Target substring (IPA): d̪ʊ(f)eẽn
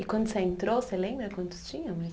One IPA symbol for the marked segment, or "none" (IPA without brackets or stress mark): s